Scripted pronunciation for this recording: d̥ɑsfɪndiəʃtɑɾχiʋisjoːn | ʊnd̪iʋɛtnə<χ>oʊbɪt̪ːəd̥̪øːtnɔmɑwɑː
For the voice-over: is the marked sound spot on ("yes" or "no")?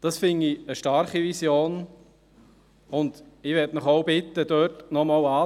yes